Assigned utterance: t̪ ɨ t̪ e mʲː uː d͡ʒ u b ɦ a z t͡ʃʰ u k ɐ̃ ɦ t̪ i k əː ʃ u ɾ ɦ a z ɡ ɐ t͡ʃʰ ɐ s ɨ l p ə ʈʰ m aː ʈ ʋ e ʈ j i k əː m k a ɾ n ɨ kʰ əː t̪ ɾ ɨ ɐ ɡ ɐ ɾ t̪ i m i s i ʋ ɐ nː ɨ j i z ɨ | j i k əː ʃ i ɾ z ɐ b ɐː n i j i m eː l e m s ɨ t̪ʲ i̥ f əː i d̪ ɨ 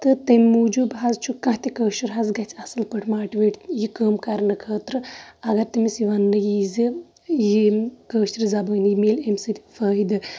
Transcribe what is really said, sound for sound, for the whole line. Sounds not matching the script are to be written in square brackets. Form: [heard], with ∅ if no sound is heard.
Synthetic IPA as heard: t̪ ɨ t̪ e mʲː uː d͡ʒ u b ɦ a z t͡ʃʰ u k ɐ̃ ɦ t̪ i k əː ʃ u ɾ ɦ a z ɡ ɐ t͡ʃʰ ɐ s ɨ l p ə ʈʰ m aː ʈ ʋ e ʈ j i k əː m k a ɾ n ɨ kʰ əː t̪ ɾ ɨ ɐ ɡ ɐ ɾ t̪ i m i s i ʋ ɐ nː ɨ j i z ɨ | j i k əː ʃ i ɾ z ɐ b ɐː n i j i m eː l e m s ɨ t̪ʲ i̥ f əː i d̪ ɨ